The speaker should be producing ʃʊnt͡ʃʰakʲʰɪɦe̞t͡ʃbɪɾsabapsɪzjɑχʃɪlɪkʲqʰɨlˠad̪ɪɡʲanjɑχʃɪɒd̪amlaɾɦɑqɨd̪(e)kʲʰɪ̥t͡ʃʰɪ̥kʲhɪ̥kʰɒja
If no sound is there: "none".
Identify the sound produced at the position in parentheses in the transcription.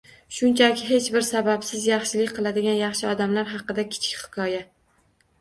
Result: a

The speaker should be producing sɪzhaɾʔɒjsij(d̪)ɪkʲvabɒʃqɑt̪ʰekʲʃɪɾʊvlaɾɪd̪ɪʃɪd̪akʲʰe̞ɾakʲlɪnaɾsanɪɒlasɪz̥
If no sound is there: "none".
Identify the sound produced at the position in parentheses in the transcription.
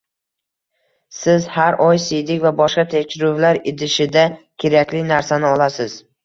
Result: d̪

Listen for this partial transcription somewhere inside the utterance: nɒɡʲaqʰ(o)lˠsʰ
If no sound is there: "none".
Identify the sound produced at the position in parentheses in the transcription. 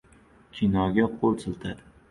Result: o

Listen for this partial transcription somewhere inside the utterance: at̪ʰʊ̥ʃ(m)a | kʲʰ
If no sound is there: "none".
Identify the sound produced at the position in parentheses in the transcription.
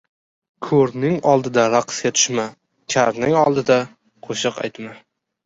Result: m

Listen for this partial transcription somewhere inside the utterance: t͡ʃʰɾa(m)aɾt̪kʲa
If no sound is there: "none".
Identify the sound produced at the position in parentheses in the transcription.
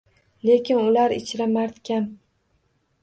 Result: m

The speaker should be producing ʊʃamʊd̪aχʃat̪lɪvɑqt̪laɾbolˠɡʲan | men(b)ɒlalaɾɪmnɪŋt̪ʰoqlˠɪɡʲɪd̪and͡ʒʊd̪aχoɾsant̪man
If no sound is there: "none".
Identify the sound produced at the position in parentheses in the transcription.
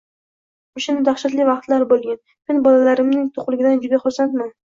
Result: b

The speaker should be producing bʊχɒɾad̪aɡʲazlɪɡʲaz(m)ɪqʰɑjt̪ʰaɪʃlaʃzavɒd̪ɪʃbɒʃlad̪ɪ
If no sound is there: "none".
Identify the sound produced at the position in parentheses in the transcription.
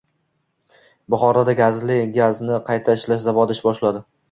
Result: n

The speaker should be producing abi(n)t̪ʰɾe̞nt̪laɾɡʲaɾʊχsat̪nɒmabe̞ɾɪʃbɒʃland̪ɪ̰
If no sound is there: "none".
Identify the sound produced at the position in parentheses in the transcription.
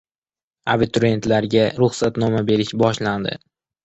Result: none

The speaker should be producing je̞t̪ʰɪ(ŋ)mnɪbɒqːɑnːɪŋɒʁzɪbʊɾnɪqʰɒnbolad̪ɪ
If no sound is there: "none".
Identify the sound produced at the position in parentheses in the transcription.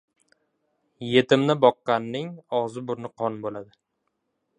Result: none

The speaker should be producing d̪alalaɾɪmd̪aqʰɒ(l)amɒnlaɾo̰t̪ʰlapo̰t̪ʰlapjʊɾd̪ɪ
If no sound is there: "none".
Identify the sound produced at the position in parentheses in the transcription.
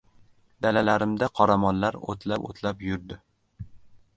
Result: ɾ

